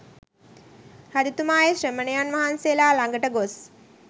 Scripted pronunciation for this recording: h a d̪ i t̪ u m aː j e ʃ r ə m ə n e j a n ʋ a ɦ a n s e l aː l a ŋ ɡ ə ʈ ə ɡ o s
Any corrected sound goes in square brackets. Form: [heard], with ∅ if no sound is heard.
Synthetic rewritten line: h a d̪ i t̪ u m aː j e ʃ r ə m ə n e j a n ʋ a ɦ a n s e l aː l a ŋ ɡ ə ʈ ə ɡ o s